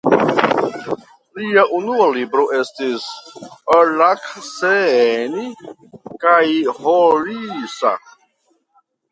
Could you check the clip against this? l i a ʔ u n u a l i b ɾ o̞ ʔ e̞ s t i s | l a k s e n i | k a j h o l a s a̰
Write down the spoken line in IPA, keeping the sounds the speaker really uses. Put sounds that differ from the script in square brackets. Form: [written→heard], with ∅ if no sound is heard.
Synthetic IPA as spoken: l i a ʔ u n u a l i b ɾ o̞ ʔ e̞ s t i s | l a k s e n i | k a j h o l [a→i] s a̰